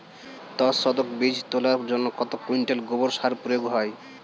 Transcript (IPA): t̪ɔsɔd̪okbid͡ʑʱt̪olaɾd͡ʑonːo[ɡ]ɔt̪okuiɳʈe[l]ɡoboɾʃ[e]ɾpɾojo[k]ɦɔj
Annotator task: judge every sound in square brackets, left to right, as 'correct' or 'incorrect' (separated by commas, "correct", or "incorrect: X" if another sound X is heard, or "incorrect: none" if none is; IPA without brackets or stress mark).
incorrect: k, correct, incorrect: a, incorrect: ɡ